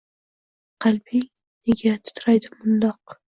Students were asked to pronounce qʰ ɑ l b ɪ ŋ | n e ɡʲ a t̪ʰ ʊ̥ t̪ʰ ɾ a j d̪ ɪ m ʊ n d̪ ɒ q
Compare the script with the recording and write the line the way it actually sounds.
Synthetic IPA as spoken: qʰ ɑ l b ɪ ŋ | n e ɡʲ a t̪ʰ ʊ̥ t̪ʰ ɾ a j d̪ ɪ m ʊ n d̪ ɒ q